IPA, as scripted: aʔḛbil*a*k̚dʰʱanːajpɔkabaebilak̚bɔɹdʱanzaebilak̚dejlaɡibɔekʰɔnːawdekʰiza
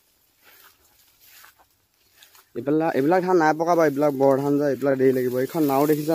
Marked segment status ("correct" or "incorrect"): correct